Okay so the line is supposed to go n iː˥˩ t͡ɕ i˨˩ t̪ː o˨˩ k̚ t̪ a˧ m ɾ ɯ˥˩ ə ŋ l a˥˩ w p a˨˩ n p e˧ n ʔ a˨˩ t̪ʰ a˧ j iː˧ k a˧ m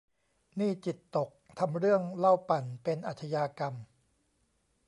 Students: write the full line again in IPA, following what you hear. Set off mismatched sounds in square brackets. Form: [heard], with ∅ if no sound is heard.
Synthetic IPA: n iː˥˩ t͡ɕ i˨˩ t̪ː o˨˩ k̚ [t̪ʰ] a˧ m ɾ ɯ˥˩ ə ŋ l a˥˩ w p a˨˩ n p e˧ n ʔ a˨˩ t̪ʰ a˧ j [aː˧] k a˧ m

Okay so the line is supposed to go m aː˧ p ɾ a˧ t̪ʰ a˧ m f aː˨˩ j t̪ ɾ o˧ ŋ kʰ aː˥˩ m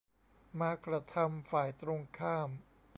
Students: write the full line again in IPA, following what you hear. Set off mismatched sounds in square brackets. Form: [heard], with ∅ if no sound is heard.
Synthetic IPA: m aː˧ [k] ɾ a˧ t̪ʰ a˧ m f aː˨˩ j t̪ ɾ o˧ ŋ kʰ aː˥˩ m

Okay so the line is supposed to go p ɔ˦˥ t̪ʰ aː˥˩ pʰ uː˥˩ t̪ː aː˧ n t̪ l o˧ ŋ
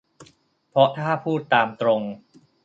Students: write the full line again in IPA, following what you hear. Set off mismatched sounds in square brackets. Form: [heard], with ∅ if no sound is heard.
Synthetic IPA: [pʰ] ɔ˦˥ t̪ʰ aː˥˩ pʰ uː˥˩ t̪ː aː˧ [m] t̪ [ɾ] o˧ ŋ

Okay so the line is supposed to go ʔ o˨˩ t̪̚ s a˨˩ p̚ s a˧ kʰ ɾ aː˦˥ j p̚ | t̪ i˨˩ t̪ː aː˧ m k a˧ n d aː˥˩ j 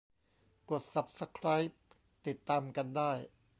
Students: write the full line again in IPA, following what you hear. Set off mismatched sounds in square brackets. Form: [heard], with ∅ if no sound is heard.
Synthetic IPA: [k] o˨˩ t̪̚ s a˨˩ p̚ s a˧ kʰ ɾ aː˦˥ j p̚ | t̪ i˨˩ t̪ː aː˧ m k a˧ n d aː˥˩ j

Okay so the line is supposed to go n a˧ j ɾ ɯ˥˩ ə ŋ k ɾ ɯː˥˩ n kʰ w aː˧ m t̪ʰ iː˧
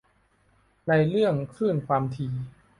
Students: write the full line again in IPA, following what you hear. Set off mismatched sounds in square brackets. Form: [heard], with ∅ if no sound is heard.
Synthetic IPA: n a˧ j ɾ ɯ˥˩ ə ŋ [kʰ] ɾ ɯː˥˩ n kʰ w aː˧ m t̪ʰ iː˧

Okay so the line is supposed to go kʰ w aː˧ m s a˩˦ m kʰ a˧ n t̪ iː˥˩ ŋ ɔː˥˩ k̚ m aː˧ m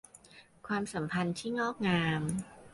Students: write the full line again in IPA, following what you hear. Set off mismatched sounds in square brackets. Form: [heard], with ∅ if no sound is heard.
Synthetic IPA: kʰ w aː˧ m s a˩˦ m [pʰ] a˧ n [t̪ʰ] iː˥˩ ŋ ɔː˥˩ k̚ [ŋ] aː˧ m

